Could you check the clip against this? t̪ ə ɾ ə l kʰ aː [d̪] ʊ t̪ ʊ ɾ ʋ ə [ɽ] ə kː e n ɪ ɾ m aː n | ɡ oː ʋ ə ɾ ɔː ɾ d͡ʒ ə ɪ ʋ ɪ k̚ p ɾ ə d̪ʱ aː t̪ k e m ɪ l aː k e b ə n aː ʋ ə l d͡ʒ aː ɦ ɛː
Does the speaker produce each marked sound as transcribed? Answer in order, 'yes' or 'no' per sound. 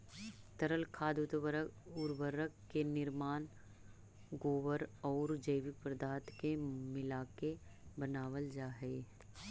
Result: yes, no

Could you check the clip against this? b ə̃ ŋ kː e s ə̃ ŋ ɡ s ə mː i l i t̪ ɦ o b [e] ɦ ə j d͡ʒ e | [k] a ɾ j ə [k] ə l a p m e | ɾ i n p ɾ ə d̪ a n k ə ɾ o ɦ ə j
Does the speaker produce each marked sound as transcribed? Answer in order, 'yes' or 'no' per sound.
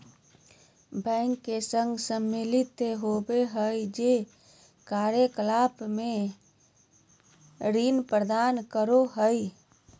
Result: yes, yes, yes

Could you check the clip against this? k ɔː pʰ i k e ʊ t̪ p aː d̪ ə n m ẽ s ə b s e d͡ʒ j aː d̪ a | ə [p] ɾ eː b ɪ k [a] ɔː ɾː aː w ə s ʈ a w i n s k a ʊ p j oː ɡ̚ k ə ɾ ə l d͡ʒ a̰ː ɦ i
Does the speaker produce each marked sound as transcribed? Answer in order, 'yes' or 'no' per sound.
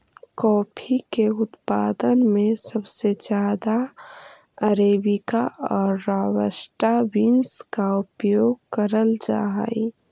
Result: no, yes

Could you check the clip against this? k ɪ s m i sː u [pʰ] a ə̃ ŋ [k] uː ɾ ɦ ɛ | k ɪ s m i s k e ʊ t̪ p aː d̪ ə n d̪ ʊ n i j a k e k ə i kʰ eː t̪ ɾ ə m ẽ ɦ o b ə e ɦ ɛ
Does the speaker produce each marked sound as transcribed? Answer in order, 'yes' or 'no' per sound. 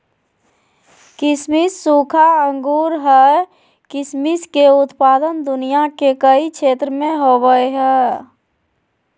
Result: no, no

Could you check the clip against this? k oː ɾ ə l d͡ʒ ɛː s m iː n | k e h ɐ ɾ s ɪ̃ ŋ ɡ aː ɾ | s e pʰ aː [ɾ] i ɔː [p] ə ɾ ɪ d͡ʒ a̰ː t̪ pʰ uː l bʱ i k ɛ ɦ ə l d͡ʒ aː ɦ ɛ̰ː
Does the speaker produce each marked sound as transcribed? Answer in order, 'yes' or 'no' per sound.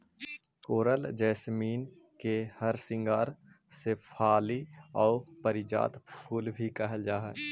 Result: no, yes

